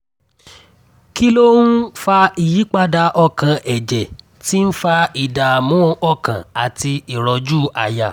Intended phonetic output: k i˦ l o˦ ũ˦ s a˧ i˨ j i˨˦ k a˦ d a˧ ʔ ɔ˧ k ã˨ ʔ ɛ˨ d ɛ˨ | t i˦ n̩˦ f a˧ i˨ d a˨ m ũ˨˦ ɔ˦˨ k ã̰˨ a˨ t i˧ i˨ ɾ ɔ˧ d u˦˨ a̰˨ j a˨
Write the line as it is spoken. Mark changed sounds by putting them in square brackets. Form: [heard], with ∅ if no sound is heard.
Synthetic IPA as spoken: k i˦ l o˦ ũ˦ [f] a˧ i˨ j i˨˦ [k͡p] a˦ d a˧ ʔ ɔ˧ k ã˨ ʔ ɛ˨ [d͡ʒ] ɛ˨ | t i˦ n̩˦ f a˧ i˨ d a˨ m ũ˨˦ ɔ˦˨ k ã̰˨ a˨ t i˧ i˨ ɾ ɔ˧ [d͡ʒ] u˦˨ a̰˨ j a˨